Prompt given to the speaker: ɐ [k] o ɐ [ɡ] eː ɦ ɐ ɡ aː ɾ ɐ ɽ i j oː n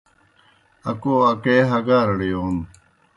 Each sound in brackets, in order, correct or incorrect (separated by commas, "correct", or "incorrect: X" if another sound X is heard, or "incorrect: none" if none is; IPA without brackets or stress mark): correct, incorrect: k